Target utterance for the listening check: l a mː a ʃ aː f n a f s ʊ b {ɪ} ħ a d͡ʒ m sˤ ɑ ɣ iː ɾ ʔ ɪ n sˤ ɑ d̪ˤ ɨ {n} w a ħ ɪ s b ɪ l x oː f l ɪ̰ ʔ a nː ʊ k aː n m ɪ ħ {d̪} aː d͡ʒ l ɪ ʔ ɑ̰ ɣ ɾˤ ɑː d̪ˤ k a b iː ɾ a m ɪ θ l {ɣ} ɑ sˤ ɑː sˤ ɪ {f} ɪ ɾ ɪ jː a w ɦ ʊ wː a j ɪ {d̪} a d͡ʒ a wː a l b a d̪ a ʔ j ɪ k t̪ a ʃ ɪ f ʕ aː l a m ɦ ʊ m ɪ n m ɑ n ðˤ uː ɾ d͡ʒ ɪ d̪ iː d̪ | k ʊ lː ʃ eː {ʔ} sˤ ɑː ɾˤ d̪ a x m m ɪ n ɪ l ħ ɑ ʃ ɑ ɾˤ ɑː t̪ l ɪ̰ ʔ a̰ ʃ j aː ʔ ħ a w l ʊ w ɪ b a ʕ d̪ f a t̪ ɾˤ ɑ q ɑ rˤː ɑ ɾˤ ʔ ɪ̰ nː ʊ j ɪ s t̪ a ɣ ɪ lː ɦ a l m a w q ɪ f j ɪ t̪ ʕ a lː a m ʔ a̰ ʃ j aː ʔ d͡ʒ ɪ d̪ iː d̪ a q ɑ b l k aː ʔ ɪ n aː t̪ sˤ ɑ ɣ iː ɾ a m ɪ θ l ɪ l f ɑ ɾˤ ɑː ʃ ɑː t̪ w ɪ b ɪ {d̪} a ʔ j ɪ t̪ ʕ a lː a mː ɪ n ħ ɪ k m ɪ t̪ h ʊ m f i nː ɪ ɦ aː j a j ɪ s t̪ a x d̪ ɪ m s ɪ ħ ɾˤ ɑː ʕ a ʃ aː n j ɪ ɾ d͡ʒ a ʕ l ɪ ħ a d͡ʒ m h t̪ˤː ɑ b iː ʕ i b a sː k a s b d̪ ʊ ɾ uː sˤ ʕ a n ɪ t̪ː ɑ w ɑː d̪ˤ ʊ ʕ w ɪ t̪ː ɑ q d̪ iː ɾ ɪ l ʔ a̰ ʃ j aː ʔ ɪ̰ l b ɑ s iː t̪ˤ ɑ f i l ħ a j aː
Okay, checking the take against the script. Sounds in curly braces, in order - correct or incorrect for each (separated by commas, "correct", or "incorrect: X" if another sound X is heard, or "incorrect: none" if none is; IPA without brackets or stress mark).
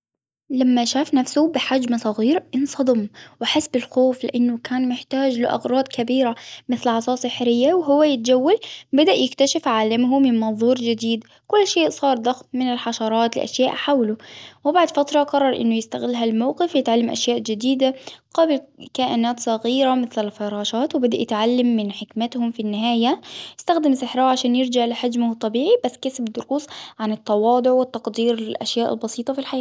correct, incorrect: m, incorrect: t̪, incorrect: ʕ, incorrect: ħ, incorrect: t̪, correct, correct